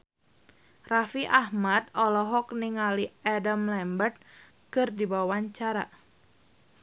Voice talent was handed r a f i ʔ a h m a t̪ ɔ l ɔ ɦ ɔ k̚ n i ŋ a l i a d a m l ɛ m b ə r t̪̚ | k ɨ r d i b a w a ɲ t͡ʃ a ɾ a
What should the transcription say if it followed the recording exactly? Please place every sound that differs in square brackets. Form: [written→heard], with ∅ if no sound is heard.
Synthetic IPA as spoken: r a f i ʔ a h m a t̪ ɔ l ɔ ɦ ɔ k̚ n i ŋ a l i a d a m l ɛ m b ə r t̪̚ | k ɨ r d i b a w a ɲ t͡ʃ a ɾ a